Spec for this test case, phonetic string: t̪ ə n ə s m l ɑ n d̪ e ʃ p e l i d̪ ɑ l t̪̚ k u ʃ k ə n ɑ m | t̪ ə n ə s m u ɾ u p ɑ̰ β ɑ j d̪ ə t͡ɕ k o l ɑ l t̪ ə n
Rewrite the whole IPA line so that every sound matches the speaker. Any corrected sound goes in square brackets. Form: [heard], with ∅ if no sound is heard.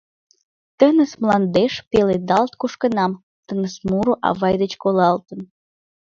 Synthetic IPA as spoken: t̪ ə n ə s m l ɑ n d̪ e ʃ p e l [e] d̪ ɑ l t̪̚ k u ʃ k ə n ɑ m | t̪ ə n ə s m u ɾ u [ʔ] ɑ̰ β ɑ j d̪ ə t͡ɕ k o l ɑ l t̪ ə n